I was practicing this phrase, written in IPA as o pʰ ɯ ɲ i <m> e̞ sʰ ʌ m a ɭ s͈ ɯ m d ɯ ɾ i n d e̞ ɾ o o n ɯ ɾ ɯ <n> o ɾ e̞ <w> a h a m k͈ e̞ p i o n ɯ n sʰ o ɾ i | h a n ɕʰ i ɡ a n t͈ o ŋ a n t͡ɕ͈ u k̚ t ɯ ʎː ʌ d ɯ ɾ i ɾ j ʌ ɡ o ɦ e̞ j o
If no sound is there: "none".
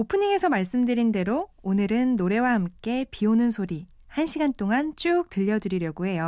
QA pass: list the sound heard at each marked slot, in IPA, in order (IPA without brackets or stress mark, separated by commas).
ŋ, nː, w